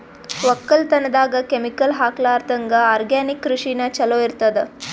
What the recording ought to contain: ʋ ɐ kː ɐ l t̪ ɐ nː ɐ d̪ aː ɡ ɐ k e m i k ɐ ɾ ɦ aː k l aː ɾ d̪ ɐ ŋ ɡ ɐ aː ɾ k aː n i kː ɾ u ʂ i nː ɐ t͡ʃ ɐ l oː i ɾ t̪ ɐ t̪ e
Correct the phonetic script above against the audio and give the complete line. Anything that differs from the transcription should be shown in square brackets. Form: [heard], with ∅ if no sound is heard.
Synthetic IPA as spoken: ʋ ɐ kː ɐ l t̪ ɐ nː ɐ d̪ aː ɡ ɐ k e m i k ɐ [l] ɦ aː k l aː ɾ [t̪] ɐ ŋ ɡ ɐ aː ɾ [ɡ] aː n i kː ɾ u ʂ i [n] ɐ t͡ʃ ɐ l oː i ɾ t̪ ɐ [d̪] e